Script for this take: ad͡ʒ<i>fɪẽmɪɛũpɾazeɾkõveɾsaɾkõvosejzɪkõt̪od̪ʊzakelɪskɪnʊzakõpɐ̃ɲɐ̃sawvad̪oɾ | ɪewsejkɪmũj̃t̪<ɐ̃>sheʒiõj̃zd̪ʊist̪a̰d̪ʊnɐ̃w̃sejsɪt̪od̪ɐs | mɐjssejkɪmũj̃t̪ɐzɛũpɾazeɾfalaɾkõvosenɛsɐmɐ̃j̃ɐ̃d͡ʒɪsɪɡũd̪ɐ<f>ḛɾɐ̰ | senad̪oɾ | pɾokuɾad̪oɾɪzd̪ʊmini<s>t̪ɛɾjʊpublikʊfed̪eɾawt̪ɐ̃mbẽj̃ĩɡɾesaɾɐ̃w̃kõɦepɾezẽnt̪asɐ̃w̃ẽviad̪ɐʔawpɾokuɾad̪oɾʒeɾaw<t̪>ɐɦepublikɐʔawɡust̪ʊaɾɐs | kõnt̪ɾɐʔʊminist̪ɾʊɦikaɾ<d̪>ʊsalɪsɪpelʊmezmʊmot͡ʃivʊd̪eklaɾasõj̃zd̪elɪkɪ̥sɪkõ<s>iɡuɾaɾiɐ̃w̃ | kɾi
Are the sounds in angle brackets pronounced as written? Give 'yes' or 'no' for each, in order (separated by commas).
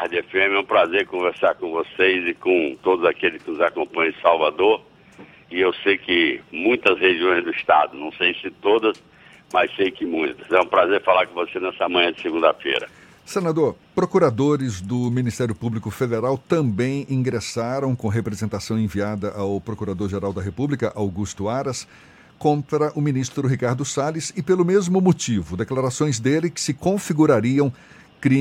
no, no, yes, yes, no, yes, no